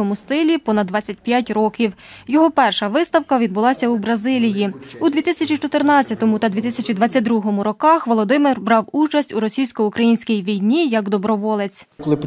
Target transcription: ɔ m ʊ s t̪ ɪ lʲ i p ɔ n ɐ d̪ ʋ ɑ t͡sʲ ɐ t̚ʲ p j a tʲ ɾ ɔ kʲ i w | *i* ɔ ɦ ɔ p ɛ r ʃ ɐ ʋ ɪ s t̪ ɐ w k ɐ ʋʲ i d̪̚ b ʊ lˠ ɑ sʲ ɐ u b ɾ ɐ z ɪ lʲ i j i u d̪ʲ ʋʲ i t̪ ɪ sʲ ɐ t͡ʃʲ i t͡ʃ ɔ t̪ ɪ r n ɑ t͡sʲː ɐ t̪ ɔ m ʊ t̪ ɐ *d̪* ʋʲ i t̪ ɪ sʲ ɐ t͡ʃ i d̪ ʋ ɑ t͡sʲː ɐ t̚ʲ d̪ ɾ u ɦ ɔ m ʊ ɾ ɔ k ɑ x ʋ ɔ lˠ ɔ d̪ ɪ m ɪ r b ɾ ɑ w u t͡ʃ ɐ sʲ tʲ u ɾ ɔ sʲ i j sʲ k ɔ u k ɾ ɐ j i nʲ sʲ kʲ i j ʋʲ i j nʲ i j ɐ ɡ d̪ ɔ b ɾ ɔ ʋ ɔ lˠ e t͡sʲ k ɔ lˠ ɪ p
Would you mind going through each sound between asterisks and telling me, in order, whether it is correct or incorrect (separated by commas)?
incorrect, correct